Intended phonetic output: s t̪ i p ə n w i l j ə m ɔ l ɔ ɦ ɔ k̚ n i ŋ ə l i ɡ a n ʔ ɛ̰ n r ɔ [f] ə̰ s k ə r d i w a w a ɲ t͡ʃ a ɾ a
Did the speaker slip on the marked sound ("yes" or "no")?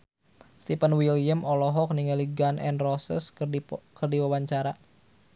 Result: yes